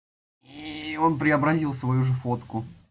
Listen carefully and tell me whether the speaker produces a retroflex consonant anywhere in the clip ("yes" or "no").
yes